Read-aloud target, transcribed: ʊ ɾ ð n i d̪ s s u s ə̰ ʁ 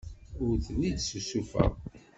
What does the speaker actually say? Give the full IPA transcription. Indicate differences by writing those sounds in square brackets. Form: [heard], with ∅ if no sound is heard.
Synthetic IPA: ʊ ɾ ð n i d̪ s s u [f] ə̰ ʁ